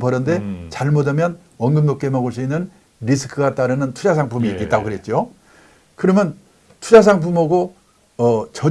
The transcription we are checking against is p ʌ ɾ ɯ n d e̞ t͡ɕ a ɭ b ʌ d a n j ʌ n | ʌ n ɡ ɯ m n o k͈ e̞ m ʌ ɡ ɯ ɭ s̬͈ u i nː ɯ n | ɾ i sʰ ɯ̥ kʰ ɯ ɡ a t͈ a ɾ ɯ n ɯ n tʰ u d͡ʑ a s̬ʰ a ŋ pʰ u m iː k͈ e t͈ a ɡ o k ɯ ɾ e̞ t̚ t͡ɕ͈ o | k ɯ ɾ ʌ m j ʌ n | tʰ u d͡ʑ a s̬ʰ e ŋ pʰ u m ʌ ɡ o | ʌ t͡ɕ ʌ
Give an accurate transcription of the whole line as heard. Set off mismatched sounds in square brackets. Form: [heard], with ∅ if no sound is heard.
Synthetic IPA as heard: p ʌ ɾ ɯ n d e̞ t͡ɕ a ɭ [m] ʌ d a [m] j ʌ n | ʌ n ɡ ɯ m n o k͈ e̞ m ʌ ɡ ɯ ɭ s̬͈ u i nː ɯ n | ɾ i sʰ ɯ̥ kʰ ɯ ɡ a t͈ a ɾ ɯ n ɯ n tʰ u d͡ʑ a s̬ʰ a ŋ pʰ u m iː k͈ e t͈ a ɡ o k ɯ ɾ e̞ t̚ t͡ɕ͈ o | k ɯ ɾ ʌ m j ʌ n | tʰ u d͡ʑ a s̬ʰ [a] ŋ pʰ u m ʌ ɡ o | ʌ t͡ɕ ʌ